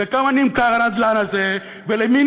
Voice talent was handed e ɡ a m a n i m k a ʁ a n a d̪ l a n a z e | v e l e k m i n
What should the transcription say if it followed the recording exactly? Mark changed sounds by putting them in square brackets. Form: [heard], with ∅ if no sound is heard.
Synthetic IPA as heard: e [k] a m a n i m k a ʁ a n a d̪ l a n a z e | v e l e [∅] m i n